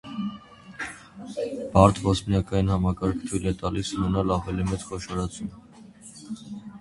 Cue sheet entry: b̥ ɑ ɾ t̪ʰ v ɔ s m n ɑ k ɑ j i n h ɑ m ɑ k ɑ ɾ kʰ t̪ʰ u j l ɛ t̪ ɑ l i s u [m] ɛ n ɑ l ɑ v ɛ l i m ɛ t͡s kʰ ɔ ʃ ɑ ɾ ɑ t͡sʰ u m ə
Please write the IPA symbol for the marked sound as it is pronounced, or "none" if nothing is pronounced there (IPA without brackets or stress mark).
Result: n